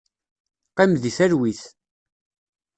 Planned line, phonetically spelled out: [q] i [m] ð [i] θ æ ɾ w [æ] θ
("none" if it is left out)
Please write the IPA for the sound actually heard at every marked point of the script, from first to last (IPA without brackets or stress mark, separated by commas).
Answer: q, m, i, i